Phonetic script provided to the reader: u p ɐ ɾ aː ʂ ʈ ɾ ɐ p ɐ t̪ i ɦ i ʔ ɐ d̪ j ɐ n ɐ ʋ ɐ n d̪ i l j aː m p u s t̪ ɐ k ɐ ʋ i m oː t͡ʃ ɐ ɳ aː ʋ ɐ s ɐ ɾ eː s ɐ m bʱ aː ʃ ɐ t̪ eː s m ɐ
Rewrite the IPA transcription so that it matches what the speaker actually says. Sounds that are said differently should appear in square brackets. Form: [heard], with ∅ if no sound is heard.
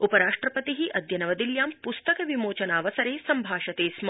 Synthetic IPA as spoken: u p ɐ ɾ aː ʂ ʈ ɾ ɐ p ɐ t̪ i ɦ i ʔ ɐ d̪ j ɐ n ɐ ʋ ɐ [∅] d̪ i l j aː m p u s t̪ ɐ k ɐ ʋ i m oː t͡ʃ ɐ [n] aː ʋ ɐ s ɐ ɾ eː s ɐ m bʱ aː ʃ ɐ t̪ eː s m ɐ